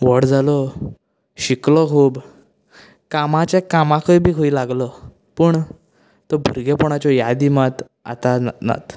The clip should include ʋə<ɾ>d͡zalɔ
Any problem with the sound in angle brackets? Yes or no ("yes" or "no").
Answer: yes